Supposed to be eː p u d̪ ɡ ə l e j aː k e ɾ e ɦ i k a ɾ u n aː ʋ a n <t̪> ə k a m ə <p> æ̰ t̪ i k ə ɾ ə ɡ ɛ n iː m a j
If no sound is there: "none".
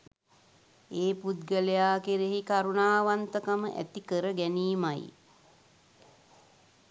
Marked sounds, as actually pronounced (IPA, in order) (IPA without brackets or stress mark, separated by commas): t̪, ʔ